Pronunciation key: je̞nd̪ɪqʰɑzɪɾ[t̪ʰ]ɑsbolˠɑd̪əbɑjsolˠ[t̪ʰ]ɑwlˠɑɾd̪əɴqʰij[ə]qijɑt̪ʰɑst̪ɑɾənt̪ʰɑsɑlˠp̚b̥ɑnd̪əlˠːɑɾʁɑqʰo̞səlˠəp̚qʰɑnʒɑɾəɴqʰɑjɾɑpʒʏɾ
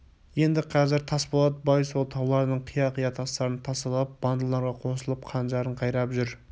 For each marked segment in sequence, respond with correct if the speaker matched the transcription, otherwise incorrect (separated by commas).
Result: correct, correct, incorrect